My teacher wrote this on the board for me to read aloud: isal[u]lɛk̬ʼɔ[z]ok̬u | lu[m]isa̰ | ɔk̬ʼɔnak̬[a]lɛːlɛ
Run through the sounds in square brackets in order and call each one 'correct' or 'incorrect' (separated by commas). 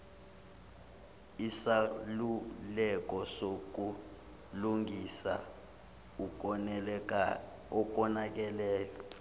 correct, incorrect, incorrect, incorrect